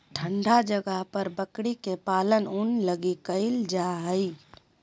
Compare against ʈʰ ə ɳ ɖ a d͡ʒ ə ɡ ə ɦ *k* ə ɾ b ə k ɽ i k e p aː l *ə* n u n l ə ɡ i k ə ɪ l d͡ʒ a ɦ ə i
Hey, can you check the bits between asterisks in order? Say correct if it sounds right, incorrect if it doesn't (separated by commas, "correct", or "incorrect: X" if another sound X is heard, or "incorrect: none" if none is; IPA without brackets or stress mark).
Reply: incorrect: p, correct